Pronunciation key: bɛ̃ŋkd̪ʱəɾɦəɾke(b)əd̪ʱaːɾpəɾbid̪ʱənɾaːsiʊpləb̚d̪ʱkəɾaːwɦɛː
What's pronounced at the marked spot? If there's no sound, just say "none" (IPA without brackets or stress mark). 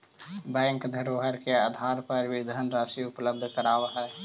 none